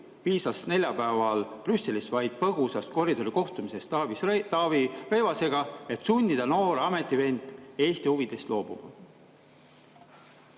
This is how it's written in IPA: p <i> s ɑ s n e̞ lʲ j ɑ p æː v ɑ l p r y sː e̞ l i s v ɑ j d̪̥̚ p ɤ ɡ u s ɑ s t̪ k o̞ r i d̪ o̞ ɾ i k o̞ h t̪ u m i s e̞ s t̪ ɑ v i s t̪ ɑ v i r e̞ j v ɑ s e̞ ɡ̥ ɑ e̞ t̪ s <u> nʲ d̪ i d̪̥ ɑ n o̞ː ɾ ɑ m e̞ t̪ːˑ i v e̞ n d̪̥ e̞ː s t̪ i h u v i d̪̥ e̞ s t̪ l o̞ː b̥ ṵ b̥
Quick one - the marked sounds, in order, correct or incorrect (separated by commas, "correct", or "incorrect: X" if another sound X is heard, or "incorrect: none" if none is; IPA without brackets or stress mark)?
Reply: incorrect: iː, correct